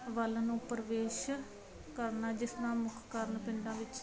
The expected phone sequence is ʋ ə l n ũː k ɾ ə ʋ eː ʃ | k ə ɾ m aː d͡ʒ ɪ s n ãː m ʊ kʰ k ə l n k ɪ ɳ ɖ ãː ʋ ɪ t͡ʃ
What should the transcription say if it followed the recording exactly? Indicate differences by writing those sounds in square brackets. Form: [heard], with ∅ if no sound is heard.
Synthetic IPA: ʋ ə l n ũː [p] ɾ ə ʋ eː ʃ | k ə ɾ [n] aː d͡ʒ ɪ s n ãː m ʊ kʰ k ə [ɾ] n [p] ɪ ɳ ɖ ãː ʋ ɪ t͡ʃ